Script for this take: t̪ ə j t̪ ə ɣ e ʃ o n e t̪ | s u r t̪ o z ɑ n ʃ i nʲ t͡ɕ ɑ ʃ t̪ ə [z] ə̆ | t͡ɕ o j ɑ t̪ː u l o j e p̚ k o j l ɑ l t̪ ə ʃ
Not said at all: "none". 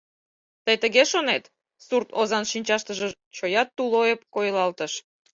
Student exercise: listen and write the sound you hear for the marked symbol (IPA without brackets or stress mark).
ʒ